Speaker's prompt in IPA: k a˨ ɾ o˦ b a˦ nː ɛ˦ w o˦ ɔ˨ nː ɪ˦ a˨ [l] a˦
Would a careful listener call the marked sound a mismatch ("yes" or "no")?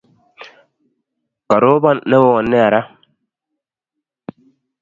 yes